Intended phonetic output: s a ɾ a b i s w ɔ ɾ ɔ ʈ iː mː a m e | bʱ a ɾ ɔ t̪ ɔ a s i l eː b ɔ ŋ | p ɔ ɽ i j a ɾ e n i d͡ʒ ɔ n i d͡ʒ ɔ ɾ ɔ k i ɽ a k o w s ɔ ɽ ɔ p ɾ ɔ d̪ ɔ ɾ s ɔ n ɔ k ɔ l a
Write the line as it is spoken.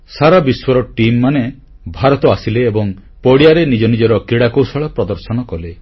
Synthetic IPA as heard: s a ɾ a b i s w ɔ ɾ ɔ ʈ i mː a n e | bʱ a ɾ ɔ t̪ ɔ a s i l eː b ɔ ŋ | p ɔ ɽ i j a ɾ e n i d͡ʒ ɔ n i d͡ʒ ɔ ɾ ɔ k i ɽ a k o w s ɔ ɭ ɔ p ɾ ɔ d̪ ɔ ɾ s ɔ n ɔ k ɔ l e

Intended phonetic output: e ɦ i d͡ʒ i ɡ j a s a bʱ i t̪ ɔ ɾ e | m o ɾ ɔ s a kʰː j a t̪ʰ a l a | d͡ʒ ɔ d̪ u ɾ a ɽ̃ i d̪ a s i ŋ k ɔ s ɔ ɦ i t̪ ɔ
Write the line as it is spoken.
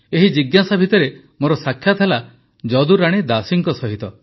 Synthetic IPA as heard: e ɦ i d͡ʒ i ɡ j a s a bʱ i t̪ ɔ ɾ e | m o ɾ ɔ s a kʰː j a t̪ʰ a l a | d͡ʒ ɔ d̪ u ɾ a ɽ̃ i d̪ a s i ŋ k ɔ s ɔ ɦ i t̪ ɔ

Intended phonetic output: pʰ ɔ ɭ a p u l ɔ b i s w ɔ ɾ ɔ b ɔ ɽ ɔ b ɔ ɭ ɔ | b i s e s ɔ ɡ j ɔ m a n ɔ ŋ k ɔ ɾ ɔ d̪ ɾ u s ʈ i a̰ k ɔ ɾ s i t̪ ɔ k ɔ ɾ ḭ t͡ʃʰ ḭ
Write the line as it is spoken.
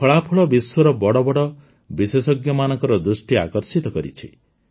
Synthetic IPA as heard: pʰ ɔ ɭ a pʰ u ɭ ɔ b i s w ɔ ɾ ɔ b ɔ ɽ ɔ b ɔ ɽ ɔ | b i s e s ɔ ɡ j ɔ m a n ɔ ŋ k ɔ ɾ ɔ d̪ ɾ u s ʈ i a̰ k ɔ ɾ s i t̪ ɔ k ɔ ɾ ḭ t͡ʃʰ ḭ

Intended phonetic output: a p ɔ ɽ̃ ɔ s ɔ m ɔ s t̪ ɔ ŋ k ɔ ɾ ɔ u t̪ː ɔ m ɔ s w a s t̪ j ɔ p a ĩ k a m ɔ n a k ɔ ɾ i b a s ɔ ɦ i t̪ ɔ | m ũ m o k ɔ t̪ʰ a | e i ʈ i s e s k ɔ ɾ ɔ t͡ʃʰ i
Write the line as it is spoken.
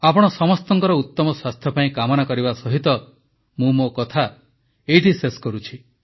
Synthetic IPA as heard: a p ɔ ɽ̃ ɔ s ɔ m ɔ s t̪ ɔ ŋ k ɔ ɾ ɔ u t̪ː ɔ m ɔ s w a s t̪ʰ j ɔ p a ĩ k a m ɔ n a k ɔ ɾ i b a s ɔ ɦ i t̪ ɔ | m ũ m o k ɔ t̪ʰ a | e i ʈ i s e s k ɔ ɾ u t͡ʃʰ i

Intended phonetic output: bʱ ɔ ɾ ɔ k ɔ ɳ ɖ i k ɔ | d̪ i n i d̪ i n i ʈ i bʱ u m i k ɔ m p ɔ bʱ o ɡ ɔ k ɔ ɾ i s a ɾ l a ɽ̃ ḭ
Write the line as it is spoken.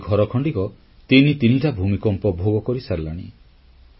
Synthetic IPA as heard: ɡʱ ɔ ɾ ɔ kʰ ɔ ɳ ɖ i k ɔ | t̪ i n i t̪ i n i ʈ a bʱ u m i k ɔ m p ɔ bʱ o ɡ ɔ k ɔ ɾ i s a ɾ l a ɽ̃ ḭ

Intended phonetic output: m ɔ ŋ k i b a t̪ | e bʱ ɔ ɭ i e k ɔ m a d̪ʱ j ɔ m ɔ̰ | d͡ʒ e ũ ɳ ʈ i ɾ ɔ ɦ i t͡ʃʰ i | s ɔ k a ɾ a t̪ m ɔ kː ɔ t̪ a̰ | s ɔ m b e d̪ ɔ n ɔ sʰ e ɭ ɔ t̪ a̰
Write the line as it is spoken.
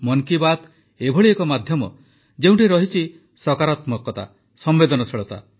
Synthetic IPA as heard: m ɔ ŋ k i b a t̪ | e bʱ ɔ ɭ i e k ɔ m a d̪ʱ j ɔ m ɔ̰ | d͡ʒ e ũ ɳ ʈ i ɾ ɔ ɦ i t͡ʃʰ i | s ɔ k a ɾ a t̪ m ɔ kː ɔ t̪ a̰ | s ɔ m b e d̪ ɔ n ɔ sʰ e ɭ ɔ t̪ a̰

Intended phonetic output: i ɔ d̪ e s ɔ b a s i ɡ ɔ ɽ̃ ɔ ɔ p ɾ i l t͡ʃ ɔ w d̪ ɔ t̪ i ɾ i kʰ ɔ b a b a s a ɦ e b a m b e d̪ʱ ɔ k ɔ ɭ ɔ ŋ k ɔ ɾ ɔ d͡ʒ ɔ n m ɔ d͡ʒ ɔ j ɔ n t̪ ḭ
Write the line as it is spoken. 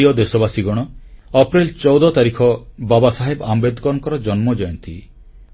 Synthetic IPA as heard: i ɔ d̪ e s ɔ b a s i ɡ ɔ ɽ̃ ɔ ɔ p ɾ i l t͡ʃ ɔ w d̪ ɔ t̪ a ɾ i kʰ ɔ b a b a s a ɦ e b a m b e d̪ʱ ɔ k ɔ ɾ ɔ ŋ k ɔ ɾ ɔ d͡ʒ ɔ n m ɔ d͡ʒ ɔ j ɔ n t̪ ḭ

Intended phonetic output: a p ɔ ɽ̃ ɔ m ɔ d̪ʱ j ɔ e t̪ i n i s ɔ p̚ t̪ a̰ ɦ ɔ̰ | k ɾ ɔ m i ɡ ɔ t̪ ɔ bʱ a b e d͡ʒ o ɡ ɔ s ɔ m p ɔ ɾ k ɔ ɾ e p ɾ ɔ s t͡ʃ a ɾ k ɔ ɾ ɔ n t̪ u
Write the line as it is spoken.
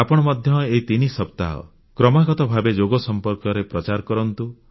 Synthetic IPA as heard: a p ɔ ɽ̃ ɔ m ɔ d̪ʱ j ɔ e t̪ i n i s ɔ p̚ t̪ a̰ ɦ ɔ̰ | k ɾ ɔ m a ɡ ɔ t̪ ɔ bʱ a b e d͡ʒ o ɡ ɔ s ɔ m p ɔ ɾ k ɔ ɾ e p ɾ ɔ t͡ʃ a ɾ k ɔ ɾ ɔ n t̪ u

